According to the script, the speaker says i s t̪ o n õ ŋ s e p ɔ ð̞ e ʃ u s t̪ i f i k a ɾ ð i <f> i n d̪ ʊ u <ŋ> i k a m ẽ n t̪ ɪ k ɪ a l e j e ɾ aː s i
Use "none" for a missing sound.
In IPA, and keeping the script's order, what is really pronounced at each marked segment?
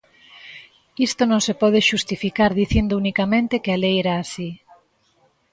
θ, n

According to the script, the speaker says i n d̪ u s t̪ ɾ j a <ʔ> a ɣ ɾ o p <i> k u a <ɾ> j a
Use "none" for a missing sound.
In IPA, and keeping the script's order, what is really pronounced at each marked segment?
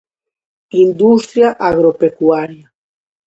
ʔ, e, ɾ

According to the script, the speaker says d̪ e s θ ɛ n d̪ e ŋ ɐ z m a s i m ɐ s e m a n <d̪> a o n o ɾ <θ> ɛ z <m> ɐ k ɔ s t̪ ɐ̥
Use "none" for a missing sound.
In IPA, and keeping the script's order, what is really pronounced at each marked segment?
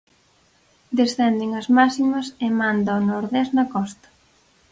d̪, ð, n

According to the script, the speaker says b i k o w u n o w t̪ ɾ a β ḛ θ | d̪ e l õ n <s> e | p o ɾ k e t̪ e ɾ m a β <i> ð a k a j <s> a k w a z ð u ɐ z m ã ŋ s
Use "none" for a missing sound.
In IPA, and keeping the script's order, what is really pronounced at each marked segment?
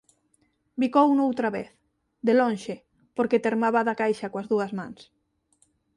ʃ, a, ʃ

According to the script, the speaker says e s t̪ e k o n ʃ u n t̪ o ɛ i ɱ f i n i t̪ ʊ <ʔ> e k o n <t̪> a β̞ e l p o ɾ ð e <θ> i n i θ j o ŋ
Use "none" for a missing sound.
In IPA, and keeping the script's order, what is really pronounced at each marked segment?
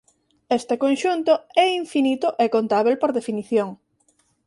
ʔ, t̪, f

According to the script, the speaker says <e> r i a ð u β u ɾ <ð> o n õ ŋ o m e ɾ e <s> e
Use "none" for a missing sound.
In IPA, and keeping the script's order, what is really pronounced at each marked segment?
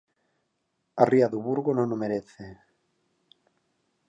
a, ɣ, θ

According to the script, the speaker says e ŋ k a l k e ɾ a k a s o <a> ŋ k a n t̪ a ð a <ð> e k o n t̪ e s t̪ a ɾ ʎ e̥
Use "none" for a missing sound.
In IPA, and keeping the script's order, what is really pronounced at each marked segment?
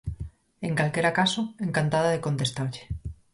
e, ð

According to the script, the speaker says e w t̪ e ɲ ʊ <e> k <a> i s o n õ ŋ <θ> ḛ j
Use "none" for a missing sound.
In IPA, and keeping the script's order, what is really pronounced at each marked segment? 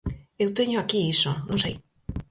a, i, s

